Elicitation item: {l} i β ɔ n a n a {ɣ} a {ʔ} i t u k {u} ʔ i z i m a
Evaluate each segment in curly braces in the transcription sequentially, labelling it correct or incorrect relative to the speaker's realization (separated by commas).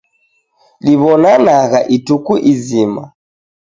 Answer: correct, correct, correct, correct